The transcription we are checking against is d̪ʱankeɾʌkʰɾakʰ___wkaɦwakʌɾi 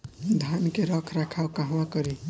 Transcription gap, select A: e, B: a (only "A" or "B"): B